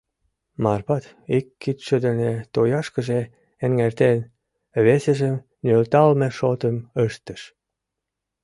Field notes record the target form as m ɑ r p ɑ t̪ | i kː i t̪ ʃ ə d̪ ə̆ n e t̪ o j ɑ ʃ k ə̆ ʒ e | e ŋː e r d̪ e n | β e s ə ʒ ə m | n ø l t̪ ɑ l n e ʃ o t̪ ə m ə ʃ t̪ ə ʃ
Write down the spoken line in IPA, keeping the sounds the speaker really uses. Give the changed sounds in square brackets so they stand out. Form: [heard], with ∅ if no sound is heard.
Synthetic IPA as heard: m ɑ r p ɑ t̪ | i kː i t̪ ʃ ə d̪ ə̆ n e t̪ o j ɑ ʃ k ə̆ ʒ e | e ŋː e r [t̪] e n | β e s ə ʒ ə m | n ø l t̪ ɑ l [m] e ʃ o t̪ ə m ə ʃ t̪ ə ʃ